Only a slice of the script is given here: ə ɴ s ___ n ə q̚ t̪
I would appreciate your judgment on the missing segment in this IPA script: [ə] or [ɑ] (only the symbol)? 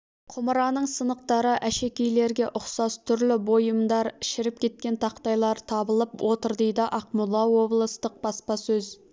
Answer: ə